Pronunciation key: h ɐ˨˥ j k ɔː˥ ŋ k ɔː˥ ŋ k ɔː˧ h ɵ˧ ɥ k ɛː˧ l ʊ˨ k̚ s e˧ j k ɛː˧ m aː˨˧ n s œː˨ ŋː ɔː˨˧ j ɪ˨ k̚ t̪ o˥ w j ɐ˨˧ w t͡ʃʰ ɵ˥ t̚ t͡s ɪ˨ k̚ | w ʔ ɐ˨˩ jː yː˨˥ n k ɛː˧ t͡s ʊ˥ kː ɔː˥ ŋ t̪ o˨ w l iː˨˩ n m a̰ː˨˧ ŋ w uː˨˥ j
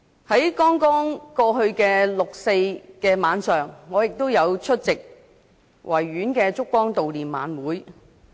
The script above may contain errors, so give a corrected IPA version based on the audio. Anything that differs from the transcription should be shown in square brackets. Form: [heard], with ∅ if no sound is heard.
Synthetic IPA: h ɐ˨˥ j k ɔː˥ ŋ k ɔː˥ ŋ k ɔː˧ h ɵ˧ ɥ k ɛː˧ l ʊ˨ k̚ s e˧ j k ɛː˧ m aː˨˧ n s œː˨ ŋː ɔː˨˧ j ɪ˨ k̚ t̪ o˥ w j ɐ˨˧ w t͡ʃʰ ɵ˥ t̚ t͡s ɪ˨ k̚ | w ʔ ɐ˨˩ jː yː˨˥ n k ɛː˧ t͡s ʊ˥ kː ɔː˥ ŋ t̪ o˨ w l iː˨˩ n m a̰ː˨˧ [n] w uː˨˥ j